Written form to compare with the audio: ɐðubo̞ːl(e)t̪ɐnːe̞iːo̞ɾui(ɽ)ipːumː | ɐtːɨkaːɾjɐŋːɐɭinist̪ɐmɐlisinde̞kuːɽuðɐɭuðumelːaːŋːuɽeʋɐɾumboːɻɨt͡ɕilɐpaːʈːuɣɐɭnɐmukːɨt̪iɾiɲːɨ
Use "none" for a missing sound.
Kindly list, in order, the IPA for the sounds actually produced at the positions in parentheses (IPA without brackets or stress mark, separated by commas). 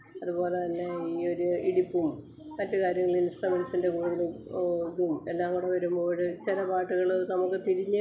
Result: e, ɽ